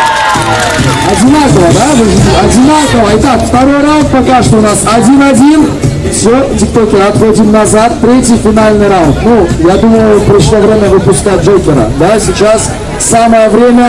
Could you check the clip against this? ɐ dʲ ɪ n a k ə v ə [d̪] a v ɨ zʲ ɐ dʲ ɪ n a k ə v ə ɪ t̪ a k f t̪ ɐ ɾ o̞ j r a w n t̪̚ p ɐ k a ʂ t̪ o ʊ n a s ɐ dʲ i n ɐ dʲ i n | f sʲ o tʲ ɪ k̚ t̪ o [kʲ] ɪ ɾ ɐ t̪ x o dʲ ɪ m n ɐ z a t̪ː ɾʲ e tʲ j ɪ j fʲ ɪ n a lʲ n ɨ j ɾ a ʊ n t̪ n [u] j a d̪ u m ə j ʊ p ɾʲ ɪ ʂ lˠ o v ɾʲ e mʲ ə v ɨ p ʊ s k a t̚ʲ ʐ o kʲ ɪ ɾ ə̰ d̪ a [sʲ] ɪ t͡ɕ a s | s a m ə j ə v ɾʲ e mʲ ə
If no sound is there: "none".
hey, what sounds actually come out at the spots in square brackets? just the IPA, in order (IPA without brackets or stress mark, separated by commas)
d̪, kʲ, u, sʲ